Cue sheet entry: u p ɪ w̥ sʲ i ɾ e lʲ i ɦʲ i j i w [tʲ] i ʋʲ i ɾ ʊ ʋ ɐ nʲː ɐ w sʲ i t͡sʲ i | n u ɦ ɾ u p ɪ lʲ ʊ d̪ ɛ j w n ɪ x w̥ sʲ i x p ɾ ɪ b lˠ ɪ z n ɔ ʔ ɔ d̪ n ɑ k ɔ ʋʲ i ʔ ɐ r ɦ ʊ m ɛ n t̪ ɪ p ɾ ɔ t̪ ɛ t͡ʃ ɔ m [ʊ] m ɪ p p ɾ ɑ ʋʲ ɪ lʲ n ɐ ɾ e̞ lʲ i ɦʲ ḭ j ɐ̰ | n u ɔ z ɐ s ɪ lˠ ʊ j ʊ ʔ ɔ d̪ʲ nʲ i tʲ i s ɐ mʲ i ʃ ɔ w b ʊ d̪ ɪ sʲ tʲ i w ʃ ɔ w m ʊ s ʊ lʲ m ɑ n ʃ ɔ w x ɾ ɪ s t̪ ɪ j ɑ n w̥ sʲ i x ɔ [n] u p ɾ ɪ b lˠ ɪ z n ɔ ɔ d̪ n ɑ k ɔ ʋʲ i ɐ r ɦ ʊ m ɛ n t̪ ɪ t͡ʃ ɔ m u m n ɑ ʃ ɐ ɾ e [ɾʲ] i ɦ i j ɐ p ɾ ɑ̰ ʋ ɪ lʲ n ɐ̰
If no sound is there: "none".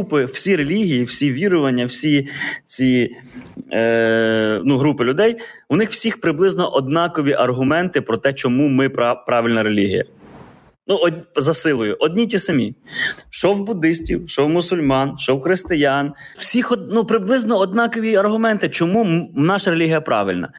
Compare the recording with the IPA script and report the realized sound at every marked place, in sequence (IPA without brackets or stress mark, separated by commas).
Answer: sʲ, u, n, lʲ